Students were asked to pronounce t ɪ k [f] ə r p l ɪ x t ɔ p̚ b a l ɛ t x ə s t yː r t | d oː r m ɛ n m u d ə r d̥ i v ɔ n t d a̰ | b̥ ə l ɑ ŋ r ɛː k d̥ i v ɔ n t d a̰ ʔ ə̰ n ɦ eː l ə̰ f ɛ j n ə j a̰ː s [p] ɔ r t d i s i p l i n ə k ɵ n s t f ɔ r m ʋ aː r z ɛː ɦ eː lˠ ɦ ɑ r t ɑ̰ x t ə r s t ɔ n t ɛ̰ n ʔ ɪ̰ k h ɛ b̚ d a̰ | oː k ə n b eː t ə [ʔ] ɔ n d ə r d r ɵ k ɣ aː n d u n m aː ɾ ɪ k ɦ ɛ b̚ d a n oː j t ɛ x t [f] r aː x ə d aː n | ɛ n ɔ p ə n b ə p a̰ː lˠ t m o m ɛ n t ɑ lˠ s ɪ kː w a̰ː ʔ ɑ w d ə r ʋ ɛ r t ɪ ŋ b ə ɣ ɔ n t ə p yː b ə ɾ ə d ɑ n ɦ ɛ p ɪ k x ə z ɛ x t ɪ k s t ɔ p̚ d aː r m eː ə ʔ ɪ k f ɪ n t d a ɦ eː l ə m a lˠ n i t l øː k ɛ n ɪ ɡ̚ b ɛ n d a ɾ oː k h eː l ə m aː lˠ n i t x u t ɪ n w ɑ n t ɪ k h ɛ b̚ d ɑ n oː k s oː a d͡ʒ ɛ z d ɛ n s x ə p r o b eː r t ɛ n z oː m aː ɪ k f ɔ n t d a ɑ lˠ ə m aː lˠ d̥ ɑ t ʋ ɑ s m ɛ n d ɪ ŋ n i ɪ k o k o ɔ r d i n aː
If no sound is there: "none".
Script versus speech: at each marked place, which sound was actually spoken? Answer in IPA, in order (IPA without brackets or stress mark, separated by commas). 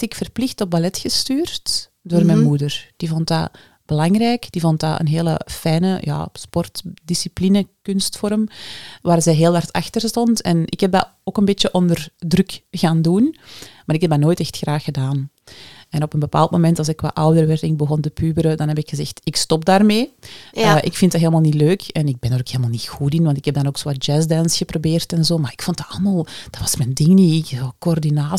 f, p, ʔ, x